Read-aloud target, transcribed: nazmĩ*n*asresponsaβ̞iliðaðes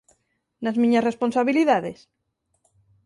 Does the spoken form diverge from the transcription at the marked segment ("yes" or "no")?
yes